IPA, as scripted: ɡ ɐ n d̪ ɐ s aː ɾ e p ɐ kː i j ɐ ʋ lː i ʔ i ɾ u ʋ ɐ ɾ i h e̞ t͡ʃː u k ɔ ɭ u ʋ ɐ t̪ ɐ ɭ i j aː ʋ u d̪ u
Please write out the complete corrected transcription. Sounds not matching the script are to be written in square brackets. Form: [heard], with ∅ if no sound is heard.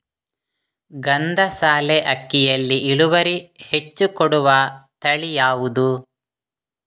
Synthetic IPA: ɡ ɐ n d̪ ɐ s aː [l] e [ʔ] ɐ kː i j ɐ [∅] lː i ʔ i [ɭ] u ʋ ɐ ɾ i h e̞ t͡ʃː u k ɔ [ɽ] u ʋ ɐ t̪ ɐ ɭ i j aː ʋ u d̪ u